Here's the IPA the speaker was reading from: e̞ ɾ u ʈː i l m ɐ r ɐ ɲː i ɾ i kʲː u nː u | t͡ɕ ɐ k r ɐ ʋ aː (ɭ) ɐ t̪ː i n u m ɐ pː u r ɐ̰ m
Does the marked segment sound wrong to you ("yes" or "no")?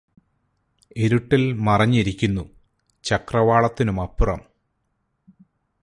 no